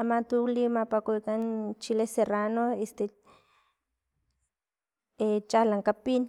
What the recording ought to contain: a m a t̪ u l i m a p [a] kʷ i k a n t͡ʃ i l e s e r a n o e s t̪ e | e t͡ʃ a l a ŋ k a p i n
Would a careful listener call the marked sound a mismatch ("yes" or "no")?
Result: no